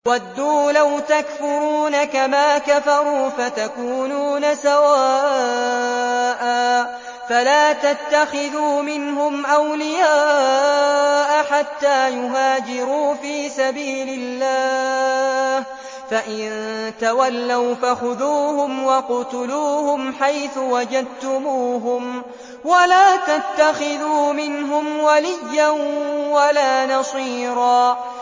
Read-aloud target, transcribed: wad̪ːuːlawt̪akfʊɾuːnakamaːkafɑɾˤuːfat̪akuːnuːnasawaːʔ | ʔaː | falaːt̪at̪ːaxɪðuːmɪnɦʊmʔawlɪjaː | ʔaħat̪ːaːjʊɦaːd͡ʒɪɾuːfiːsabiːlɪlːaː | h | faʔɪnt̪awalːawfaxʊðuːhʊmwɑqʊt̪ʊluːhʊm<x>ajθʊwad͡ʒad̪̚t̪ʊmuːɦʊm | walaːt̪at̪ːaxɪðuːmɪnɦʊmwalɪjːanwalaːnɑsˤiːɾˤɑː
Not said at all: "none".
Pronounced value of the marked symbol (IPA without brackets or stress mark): ħ